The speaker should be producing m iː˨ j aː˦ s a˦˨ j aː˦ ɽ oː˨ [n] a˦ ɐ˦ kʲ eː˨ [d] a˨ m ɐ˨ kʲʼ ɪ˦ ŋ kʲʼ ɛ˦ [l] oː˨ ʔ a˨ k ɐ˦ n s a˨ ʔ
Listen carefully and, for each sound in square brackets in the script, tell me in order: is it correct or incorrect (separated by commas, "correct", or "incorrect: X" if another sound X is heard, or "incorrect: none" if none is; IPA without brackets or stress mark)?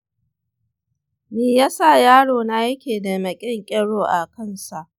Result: correct, correct, incorrect: ɽ